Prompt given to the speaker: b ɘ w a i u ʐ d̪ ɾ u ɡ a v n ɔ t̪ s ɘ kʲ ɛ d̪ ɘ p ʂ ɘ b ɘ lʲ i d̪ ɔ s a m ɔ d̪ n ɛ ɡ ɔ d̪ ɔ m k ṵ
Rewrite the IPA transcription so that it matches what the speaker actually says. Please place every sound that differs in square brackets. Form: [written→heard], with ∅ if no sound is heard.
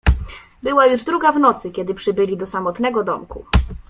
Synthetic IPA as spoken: b ɘ w a [i→j] u ʐ d̪ ɾ u ɡ a v n ɔ t̪ s ɘ kʲ ɛ d̪ ɘ p ʂ ɘ b ɘ lʲ i d̪ ɔ s a m ɔ [d̪→t̪] n ɛ ɡ ɔ d̪ ɔ m k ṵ